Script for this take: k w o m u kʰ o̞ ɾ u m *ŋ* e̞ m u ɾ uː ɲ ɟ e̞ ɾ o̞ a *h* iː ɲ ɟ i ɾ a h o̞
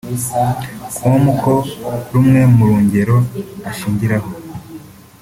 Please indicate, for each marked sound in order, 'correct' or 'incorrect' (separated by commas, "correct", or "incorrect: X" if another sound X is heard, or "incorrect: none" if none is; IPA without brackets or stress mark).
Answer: correct, incorrect: ʃ